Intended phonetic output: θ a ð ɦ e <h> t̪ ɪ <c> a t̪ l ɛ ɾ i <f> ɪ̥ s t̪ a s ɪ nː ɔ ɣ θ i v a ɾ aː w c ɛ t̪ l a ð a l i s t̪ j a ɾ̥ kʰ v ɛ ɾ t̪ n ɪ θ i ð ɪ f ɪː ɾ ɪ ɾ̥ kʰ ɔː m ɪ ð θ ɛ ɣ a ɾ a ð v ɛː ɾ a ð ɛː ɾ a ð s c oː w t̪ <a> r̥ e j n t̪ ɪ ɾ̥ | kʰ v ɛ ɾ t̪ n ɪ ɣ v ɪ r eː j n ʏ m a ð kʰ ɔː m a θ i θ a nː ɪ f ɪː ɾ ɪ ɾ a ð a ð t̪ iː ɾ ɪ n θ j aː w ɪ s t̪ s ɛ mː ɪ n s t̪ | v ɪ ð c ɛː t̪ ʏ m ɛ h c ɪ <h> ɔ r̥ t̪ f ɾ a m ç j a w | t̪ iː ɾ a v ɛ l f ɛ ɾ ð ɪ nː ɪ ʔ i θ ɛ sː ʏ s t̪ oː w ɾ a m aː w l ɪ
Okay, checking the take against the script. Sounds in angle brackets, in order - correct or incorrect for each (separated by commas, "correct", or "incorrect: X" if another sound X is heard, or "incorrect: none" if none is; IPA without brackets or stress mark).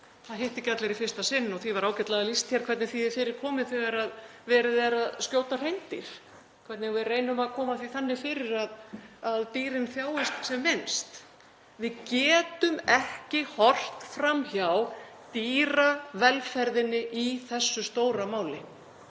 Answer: correct, correct, correct, correct, correct